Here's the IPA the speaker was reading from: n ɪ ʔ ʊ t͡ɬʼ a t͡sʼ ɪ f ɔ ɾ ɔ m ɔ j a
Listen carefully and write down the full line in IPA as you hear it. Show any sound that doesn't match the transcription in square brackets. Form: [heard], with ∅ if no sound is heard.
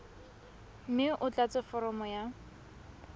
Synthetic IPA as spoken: [m] ɪ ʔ ʊ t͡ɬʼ a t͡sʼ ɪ f ɔ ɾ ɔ m ɔ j a